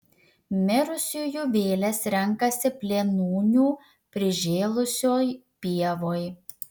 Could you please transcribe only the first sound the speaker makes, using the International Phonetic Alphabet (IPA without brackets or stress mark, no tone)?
mʲ